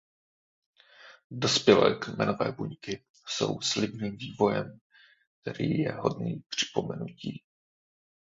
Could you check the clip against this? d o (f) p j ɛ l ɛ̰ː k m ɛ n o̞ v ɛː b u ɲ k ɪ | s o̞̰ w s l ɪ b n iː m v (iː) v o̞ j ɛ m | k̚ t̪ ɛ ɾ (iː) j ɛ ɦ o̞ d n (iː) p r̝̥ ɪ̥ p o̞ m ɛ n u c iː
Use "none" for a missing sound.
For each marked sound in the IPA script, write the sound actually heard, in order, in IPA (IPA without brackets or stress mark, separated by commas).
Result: s, iː, iː, iː